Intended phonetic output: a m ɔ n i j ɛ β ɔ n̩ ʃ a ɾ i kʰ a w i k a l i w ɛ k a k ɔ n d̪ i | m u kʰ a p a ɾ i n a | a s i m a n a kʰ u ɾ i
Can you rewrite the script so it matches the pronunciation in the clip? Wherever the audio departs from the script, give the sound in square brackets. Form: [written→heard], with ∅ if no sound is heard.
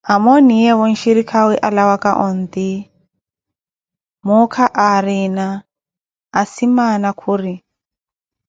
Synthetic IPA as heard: a m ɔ n i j ɛ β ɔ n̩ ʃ [a→i] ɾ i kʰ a w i [k→ʔ] a l [i→a] w [ɛ→a] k a [k→ʔ] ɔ n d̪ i | m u kʰ a [p→ʔ] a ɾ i n a | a s i m a n a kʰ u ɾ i